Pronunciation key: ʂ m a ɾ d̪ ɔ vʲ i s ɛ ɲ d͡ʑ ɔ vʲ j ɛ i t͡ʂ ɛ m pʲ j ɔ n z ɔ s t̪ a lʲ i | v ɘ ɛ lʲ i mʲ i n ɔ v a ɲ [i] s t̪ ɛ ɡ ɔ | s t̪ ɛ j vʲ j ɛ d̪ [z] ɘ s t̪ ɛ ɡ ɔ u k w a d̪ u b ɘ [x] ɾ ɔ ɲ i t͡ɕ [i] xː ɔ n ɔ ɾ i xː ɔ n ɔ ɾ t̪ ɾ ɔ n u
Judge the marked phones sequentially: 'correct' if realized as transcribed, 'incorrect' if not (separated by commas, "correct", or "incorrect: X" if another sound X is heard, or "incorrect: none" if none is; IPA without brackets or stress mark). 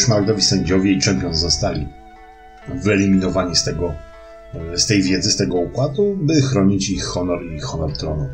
correct, correct, correct, correct